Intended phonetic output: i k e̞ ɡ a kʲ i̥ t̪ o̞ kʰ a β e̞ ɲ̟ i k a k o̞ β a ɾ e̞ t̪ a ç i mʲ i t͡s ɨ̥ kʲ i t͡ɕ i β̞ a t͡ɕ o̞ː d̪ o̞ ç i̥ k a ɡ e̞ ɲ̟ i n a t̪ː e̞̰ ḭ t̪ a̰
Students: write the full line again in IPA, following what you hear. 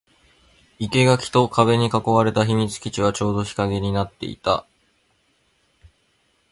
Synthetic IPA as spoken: i k e̞ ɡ a kʲ i̥ t̪ o̞ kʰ a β e̞ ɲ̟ i k a k o̞ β a ɾ e̞ t̪ a ç i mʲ i t͡s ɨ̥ kʲ i t͡ɕ i β̞ a t͡ɕ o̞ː d̪ o̞ ç i̥ k a ɡ e̞ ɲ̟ i n a t̪ː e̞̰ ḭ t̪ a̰